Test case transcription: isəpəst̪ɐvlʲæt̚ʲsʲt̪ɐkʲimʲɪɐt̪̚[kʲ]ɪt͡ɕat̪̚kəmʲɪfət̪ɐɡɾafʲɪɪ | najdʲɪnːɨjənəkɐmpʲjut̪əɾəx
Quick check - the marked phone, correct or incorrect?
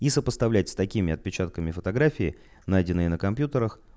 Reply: incorrect